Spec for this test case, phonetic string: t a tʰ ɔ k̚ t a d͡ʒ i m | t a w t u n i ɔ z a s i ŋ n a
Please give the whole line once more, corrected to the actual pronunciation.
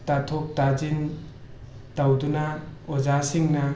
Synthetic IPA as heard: t a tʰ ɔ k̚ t a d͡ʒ i n | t a w d u n a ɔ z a s i ŋ n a